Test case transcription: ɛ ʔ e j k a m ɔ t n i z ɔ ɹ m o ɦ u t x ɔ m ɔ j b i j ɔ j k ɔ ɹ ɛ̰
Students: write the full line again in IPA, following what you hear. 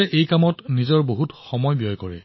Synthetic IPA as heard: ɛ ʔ e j k a m ɔ t n i z ɔ ɹ b o ɦ u t x ɔ m ɔ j b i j ɔ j k ɔ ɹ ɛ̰